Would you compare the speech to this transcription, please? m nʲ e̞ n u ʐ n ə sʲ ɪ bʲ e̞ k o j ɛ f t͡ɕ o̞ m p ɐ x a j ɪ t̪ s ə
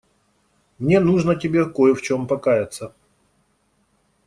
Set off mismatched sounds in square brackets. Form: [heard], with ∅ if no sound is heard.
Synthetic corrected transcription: m nʲ e̞ n u ʐ n ə [tʲ] ɪ bʲ e̞ k o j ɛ f t͡ɕ o̞ m p ɐ [k] a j ɪ t̪ s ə